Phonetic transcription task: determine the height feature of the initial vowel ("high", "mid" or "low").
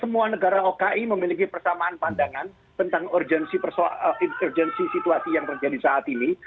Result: mid